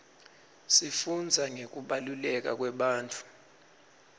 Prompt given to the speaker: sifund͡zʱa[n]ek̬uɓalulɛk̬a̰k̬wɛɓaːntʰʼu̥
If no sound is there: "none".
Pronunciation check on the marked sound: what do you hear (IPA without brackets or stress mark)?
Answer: ŋ